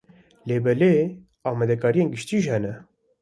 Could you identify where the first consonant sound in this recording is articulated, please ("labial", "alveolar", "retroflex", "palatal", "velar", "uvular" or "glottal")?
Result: alveolar